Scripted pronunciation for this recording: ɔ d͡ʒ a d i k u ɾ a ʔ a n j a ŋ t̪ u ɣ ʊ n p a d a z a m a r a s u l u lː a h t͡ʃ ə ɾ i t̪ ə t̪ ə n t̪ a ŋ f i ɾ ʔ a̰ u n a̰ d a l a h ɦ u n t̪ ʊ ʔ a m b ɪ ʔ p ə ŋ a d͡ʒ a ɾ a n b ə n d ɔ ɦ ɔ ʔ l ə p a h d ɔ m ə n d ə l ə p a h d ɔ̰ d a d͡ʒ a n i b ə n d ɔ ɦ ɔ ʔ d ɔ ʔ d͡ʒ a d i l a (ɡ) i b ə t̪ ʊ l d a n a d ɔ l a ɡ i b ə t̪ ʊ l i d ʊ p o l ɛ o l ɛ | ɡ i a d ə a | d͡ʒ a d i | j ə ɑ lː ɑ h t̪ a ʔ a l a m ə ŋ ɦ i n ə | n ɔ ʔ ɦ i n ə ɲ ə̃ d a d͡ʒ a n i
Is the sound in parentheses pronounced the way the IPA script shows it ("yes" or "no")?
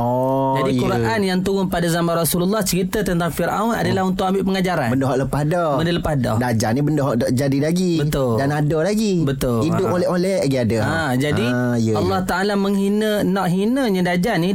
yes